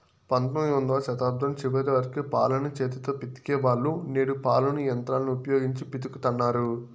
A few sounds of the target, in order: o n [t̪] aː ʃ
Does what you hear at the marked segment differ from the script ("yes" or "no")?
yes